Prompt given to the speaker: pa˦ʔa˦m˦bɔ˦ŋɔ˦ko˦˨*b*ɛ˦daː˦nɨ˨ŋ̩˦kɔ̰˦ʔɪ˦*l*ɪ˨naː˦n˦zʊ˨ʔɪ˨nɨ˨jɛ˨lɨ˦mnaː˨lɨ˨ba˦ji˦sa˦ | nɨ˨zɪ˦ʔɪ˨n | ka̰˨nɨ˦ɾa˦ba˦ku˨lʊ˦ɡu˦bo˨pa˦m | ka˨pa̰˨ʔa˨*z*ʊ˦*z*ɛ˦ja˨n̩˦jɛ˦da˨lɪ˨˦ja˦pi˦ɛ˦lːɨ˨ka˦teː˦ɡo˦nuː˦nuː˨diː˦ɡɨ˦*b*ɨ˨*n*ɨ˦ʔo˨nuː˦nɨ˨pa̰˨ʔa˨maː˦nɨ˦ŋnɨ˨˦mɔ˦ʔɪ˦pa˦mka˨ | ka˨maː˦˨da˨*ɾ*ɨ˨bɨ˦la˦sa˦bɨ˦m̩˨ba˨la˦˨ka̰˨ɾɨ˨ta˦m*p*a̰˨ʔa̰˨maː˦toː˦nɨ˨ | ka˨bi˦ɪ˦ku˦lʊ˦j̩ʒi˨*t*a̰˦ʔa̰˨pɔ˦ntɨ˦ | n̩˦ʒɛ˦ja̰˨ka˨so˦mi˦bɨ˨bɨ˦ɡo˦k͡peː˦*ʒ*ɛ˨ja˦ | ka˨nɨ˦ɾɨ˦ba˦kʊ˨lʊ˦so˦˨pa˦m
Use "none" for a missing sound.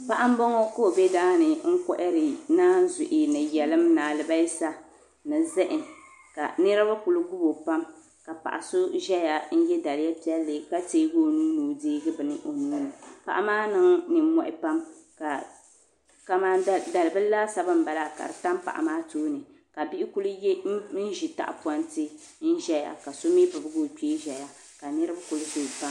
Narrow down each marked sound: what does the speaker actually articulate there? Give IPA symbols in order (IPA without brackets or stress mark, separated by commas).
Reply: b, ɾ, s, ʒ, b, n, l, p, t, ʒ